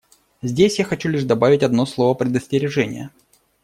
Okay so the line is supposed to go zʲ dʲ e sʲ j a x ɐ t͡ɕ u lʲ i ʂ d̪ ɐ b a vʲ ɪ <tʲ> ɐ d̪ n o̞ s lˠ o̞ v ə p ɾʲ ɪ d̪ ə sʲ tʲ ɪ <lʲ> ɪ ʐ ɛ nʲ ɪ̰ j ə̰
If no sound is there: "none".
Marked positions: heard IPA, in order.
tʲ, ɾʲ

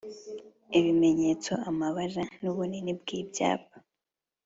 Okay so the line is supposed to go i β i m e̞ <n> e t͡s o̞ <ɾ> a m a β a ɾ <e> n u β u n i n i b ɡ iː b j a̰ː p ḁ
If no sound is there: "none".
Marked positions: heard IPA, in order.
ɲ, none, a

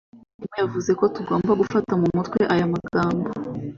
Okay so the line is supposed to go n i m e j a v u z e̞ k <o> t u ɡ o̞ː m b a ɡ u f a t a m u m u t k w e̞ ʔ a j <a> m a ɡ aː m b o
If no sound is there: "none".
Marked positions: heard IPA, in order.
o, a

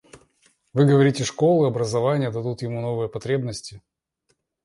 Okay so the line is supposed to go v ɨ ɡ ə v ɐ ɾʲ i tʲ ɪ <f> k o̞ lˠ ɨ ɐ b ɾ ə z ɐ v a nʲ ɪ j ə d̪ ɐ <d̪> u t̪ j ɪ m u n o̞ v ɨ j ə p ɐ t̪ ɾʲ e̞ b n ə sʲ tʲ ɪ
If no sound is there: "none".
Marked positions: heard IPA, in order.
ʂ, d̪

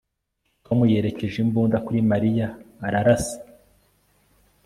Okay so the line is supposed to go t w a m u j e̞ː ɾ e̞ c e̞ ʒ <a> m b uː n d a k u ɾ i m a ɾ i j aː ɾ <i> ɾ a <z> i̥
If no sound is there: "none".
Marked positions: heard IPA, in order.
i, a, s

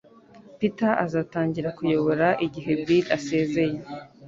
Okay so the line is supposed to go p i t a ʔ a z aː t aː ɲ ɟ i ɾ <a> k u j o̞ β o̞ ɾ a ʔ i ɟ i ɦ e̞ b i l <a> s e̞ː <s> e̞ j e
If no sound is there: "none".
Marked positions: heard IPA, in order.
a, a, z

